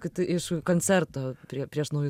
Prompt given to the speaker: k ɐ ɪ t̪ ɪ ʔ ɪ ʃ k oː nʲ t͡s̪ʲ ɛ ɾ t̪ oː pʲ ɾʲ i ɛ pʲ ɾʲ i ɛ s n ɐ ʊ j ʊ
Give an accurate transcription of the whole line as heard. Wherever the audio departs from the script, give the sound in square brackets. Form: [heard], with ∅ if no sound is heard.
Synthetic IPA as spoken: k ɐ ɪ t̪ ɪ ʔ ɪ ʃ k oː nʲ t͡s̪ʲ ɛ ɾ t̪ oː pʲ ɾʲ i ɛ pʲ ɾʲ i ɛ [ʃ] n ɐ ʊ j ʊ